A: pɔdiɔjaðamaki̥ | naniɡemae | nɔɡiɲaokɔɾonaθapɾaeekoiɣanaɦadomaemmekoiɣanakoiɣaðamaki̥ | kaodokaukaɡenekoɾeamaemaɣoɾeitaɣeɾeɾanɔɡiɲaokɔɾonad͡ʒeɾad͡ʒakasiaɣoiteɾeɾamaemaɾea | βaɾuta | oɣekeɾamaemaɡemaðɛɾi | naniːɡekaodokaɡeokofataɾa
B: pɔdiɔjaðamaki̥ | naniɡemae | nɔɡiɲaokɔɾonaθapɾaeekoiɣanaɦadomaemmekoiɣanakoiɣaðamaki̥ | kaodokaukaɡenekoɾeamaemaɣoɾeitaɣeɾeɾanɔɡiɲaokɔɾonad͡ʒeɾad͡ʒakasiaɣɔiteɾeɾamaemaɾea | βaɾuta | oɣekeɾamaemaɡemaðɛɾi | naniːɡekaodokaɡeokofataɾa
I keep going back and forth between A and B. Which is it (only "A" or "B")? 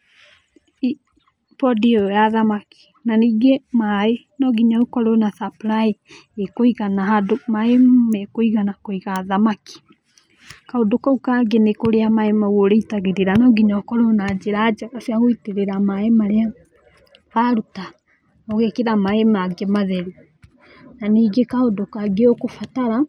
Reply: A